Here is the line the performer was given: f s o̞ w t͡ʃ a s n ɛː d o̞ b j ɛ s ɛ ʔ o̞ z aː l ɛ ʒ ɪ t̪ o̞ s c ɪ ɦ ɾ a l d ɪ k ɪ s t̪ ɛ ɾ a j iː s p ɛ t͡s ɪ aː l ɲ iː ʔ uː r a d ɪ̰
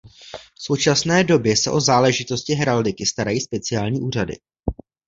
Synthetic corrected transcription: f s o̞ w t͡ʃ a s n ɛː d o̞ b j ɛ s ɛ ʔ o̞ z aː l ɛ ʒ ɪ t̪ o̞ s c ɪ ɦ ɾ a l d ɪ k ɪ s t̪ a ɾ a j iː s p ɛ t͡s ɪ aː l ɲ iː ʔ uː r a d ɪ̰

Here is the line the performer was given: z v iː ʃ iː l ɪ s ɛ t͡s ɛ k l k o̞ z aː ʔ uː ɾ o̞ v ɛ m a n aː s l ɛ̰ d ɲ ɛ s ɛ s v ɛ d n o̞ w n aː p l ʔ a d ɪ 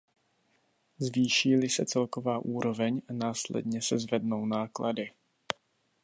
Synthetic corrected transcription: z v iː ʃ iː l ɪ s ɛ t͡s ɛ l k o̞ v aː ʔ uː ɾ o̞ v ɛ ɲ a n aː s l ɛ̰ d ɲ ɛ s ɛ z v ɛ d n o̞ w n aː k l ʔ a d ɪ

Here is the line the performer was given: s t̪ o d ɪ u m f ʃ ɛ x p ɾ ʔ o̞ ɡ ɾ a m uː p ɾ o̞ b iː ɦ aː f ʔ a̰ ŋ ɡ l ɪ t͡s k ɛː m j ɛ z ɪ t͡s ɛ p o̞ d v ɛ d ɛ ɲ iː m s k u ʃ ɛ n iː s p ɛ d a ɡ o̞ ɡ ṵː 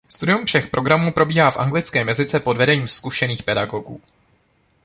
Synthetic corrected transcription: s t̪ u d ɪ u m f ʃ ɛ x p ɾ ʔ o̞ ɡ ɾ a m uː p ɾ o̞ b iː ɦ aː f ʔ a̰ ŋ ɡ l ɪ t͡s k ɛː m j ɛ z ɪ t͡s ɛ p o̞ d v ɛ d ɛ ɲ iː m s k u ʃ ɛ n iː x p ɛ d a ɡ o̞ ɡ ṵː

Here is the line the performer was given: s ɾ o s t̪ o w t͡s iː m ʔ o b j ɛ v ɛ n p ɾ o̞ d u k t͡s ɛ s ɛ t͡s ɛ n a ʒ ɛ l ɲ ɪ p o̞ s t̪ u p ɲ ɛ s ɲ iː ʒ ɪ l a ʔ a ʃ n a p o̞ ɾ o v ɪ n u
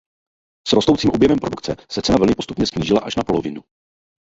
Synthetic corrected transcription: s ɾ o s t̪ o w t͡s iː m ʔ o b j ɛ v ɛ m p ɾ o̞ d u k t͡s ɛ s ɛ t͡s ɛ n a v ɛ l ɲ ɪ p o̞ s t̪ u p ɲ ɛ s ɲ iː ʒ ɪ l a ʔ a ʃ n a p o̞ l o v ɪ n u

